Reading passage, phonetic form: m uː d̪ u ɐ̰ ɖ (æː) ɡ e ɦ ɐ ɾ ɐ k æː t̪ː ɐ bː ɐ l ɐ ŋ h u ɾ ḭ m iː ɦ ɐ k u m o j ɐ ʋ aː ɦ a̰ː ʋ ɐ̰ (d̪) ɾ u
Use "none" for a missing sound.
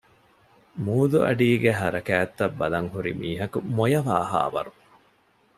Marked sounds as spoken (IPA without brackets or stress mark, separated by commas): iː, none